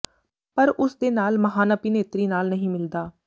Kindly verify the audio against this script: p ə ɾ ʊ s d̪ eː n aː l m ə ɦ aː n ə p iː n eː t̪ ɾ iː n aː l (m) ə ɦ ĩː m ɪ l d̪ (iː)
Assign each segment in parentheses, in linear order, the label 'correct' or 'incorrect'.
incorrect, incorrect

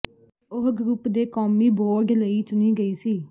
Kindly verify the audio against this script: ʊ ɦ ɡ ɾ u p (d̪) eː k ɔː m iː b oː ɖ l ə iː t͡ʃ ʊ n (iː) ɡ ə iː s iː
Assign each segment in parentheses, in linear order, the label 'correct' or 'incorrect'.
correct, correct

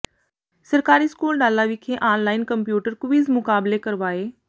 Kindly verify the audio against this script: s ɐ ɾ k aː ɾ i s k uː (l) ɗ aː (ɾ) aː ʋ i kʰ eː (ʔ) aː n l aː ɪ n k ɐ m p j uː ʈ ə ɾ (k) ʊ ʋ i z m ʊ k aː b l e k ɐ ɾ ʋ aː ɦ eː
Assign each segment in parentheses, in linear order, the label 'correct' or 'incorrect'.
correct, incorrect, correct, correct

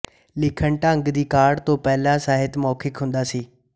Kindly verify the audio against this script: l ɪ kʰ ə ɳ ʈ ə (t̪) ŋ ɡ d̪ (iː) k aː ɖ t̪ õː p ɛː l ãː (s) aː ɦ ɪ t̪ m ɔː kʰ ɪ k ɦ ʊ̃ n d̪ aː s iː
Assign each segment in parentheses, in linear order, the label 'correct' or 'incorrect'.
incorrect, correct, correct

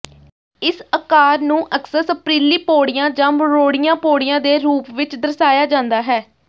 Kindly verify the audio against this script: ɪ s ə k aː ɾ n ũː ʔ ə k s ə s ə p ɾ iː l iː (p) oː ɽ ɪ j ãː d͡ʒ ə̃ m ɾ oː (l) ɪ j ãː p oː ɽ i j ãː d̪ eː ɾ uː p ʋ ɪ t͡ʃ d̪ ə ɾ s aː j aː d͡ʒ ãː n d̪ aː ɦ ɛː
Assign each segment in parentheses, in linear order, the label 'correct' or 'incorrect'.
correct, incorrect

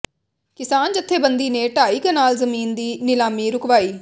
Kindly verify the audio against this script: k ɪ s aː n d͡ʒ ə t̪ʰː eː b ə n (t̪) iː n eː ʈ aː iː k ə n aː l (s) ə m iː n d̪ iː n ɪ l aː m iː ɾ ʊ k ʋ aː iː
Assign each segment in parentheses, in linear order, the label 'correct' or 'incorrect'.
incorrect, incorrect

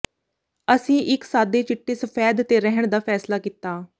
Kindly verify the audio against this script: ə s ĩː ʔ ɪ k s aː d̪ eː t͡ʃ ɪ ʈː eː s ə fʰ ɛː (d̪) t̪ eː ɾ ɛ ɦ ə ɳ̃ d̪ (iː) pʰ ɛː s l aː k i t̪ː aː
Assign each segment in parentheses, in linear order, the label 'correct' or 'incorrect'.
correct, incorrect

